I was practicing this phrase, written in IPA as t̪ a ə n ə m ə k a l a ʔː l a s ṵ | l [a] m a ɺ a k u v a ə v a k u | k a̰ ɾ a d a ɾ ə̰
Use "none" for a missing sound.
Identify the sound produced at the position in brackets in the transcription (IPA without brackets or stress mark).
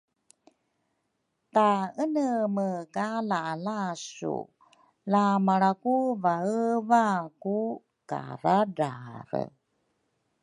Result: a